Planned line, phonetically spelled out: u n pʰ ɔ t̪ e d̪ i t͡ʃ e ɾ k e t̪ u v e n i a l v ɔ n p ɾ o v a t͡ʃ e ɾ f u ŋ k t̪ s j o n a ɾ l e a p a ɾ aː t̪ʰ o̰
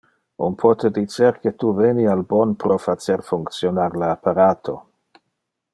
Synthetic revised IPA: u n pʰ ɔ t̪ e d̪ i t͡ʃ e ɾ k e t̪ u v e n i a l b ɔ n p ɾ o f a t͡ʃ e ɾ f u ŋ k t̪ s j o n a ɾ l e a p a ɾ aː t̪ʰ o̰